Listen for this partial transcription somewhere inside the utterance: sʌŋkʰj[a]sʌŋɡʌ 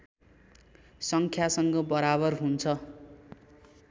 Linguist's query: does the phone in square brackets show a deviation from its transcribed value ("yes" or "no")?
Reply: no